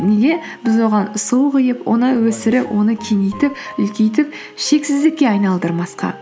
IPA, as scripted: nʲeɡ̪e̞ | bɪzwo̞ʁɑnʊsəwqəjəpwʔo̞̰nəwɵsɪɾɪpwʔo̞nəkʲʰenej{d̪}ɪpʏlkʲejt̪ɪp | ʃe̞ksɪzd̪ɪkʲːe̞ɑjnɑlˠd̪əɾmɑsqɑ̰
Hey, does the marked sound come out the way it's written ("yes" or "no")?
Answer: no